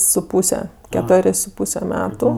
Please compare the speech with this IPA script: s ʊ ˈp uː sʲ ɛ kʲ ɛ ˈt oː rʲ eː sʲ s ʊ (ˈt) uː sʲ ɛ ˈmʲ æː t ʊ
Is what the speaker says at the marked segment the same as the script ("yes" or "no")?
no